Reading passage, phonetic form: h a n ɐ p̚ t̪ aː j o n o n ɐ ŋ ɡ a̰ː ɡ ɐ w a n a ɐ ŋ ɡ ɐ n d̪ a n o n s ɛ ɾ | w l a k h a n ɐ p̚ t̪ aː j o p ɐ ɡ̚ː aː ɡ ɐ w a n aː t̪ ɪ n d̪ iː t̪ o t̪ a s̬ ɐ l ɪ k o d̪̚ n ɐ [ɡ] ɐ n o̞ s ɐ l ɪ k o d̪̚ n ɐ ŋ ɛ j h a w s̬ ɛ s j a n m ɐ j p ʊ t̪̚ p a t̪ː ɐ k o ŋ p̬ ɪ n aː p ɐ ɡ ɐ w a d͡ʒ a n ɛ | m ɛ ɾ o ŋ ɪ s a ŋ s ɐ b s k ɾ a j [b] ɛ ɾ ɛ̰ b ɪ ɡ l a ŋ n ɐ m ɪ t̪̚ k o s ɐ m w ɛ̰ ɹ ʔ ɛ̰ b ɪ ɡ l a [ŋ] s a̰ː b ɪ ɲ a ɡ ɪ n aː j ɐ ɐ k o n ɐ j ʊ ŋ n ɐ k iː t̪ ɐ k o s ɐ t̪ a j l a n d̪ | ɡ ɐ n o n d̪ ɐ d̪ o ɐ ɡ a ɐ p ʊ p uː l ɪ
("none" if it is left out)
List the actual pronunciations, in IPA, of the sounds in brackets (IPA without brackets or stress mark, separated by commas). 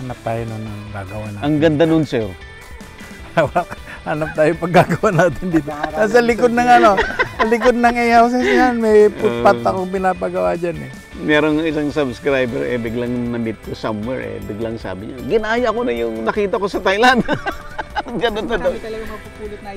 ŋ, b, ŋ